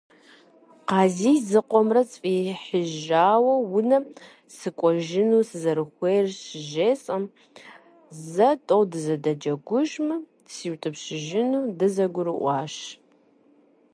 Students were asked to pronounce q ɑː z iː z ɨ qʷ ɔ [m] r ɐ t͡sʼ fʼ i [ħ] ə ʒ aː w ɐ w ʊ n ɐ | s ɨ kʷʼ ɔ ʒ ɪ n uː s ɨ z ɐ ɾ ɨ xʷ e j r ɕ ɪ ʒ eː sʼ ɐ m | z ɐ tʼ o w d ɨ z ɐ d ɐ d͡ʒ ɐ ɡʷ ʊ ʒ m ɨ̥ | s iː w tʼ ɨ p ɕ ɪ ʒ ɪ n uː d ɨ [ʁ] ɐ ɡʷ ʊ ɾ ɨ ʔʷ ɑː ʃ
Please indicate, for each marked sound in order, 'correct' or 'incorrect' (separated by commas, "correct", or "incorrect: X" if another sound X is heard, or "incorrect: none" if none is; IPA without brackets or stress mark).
correct, correct, incorrect: z